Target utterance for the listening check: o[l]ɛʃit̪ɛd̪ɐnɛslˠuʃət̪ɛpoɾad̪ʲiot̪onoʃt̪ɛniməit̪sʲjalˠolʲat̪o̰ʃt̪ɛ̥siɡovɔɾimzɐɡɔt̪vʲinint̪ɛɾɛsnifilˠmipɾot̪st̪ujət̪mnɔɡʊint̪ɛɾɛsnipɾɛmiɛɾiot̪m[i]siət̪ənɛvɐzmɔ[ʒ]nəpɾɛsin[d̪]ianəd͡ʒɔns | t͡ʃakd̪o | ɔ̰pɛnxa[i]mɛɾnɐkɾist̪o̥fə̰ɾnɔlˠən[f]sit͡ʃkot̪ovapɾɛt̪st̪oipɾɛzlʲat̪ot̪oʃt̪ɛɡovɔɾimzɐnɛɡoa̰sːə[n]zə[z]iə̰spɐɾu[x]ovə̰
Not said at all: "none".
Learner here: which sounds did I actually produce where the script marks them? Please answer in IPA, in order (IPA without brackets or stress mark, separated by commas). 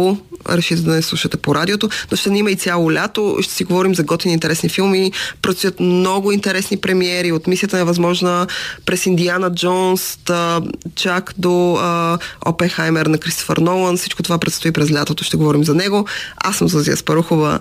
ɾ, i, ʒ, d̪, j, f, m, z, x